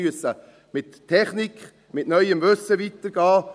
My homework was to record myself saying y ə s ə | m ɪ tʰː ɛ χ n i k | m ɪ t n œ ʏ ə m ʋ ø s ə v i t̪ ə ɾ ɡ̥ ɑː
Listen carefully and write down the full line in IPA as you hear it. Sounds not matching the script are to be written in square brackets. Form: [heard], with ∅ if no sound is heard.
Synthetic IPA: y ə s ə | m ɪ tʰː ɛ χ n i k | m ɪ t n œ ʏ ə m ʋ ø s ə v i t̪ ə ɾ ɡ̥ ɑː